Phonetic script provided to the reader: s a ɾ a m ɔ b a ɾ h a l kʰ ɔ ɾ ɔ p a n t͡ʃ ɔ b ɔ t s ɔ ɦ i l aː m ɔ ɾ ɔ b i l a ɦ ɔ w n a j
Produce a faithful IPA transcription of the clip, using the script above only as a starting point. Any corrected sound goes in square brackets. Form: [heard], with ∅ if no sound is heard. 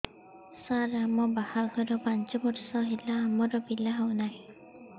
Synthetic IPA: s a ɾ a m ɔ b a [∅] h a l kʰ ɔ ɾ ɔ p a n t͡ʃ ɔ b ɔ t s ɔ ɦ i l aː m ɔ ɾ ɔ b i l a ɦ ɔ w n a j

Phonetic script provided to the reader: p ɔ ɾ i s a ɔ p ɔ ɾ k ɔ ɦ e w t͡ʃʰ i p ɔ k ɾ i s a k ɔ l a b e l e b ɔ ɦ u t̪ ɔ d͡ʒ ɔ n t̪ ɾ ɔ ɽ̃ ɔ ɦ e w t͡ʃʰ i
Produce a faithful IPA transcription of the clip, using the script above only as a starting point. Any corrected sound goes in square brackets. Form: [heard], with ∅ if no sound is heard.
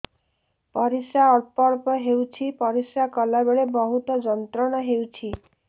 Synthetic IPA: p ɔ ɾ i s a ɔ p ɔ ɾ [p] ɔ ɦ e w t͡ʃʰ i p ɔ [∅] ɾ i s a k ɔ l a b e [ɭ] e b ɔ ɦ u t̪ ɔ d͡ʒ ɔ n t̪ ɾ ɔ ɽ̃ ɔ ɦ e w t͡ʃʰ i

